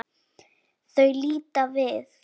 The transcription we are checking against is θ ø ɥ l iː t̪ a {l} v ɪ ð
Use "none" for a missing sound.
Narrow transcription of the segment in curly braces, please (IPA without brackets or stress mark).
none